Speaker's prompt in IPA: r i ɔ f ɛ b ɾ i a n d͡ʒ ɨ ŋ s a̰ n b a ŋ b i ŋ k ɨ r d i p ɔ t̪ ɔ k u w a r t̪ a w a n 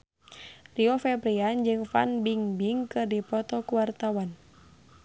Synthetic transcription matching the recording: r i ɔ f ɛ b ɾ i a n d͡ʒ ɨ ŋ f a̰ n b i ŋ b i ŋ k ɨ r d i p ɔ t̪ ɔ k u w a r t̪ a w a n